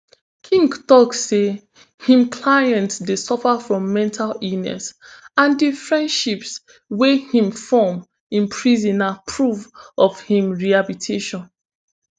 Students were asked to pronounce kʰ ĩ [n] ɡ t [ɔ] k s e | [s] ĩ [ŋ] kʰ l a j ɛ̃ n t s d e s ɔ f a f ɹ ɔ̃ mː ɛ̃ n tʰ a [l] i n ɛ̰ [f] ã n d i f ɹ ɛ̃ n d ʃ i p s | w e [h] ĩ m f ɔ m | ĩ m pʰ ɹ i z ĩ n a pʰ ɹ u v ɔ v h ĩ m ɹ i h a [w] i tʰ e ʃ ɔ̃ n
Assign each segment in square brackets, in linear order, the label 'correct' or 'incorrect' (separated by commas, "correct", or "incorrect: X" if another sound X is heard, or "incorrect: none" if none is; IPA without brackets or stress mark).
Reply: incorrect: ŋ, correct, incorrect: h, incorrect: m, correct, incorrect: s, correct, incorrect: b